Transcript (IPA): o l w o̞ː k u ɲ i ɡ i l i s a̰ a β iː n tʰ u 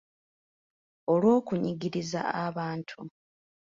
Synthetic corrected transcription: o l w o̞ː k u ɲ i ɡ i ɾ i z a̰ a β aː n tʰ u